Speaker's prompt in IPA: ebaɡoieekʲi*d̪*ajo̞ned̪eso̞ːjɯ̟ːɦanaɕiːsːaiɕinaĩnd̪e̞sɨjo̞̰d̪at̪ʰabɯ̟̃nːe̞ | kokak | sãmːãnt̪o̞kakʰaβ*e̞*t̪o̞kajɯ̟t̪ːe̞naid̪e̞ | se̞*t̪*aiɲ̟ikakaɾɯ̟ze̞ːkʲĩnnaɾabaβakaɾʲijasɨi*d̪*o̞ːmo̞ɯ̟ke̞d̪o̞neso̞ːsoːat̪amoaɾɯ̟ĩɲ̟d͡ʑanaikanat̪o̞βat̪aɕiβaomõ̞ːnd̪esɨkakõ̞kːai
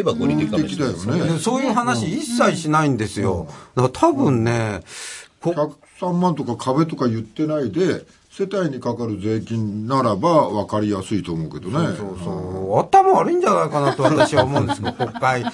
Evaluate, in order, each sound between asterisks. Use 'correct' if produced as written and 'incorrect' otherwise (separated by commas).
correct, correct, correct, incorrect